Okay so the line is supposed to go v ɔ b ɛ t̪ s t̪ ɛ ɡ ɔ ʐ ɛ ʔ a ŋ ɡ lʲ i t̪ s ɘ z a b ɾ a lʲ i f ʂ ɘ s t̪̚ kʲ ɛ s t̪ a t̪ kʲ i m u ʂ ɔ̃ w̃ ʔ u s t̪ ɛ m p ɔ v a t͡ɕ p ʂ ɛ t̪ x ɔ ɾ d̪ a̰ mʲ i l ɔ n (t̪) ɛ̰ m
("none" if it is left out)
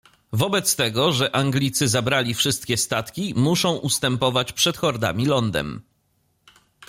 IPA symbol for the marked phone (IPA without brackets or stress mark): d̪